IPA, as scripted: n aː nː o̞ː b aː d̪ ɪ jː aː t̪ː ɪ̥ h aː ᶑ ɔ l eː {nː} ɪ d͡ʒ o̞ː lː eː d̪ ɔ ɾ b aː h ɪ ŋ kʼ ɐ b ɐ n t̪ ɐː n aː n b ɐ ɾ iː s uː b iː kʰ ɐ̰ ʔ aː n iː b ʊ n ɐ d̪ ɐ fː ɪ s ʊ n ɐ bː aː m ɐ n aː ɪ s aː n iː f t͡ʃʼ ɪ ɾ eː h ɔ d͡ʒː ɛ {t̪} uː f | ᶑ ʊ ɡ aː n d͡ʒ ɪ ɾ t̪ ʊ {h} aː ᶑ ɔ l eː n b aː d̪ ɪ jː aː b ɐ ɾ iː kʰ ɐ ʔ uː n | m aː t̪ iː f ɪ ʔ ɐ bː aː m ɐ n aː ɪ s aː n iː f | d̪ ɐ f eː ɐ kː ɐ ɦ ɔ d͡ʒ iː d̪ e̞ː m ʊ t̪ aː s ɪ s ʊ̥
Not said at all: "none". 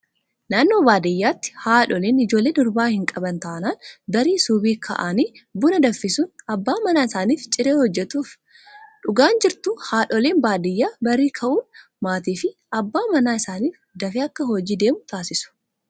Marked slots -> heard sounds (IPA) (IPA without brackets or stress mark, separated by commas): n, t̪, h